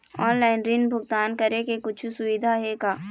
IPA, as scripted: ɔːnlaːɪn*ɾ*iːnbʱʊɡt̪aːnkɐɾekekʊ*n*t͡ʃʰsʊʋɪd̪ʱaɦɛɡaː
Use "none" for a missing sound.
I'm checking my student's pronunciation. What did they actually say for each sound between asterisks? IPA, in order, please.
ɾ, none

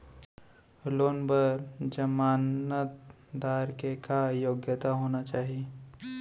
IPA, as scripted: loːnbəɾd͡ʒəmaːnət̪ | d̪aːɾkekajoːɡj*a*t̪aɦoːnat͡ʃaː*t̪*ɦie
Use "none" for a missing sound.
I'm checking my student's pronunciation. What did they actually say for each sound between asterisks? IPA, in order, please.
ə, none

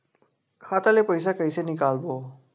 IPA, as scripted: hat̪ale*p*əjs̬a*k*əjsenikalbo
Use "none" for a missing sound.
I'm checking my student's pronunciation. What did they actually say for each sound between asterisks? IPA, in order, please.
p, k

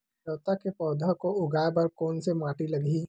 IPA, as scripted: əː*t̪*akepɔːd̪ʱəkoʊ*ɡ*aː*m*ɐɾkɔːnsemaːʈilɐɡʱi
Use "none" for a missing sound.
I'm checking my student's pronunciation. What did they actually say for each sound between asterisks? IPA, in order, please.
t̪, ɡ, b

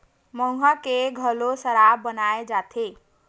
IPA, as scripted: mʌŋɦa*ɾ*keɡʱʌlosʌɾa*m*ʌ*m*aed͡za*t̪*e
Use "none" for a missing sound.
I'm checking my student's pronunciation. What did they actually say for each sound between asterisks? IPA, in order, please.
none, b, n, t̪ʰ

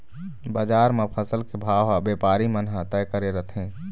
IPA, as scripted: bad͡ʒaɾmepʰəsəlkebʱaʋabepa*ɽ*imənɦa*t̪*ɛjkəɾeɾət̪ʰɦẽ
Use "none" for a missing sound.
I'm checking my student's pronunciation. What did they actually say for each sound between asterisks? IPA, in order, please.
ɾ, t̪

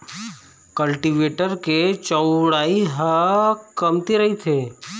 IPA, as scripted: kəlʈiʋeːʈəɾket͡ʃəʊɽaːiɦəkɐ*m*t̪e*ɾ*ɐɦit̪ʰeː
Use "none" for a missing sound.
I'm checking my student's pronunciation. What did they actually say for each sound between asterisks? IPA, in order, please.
m, ɾ

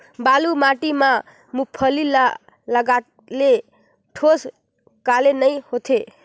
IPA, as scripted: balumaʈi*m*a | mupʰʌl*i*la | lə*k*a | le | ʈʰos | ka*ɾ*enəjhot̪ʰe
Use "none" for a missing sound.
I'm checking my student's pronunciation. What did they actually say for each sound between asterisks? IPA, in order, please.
m, i, ɡ, l

